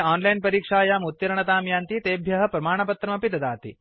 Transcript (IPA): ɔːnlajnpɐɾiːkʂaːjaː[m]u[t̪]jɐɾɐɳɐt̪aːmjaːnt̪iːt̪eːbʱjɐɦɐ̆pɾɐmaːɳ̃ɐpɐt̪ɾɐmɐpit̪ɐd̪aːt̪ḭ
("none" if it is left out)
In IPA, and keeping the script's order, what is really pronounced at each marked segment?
m, t̪

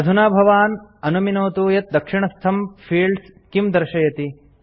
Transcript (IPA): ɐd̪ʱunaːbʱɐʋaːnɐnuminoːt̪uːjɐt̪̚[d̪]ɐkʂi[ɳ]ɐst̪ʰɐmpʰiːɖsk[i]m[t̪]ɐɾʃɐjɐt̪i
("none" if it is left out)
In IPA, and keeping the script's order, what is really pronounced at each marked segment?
d̪, ɳ, i, d̪

